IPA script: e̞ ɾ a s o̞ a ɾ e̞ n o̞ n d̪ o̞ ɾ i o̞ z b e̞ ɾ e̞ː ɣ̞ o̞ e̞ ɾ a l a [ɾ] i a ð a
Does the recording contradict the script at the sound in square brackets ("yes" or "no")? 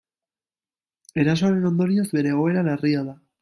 yes